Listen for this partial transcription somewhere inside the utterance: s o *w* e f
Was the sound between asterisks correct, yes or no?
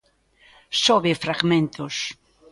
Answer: no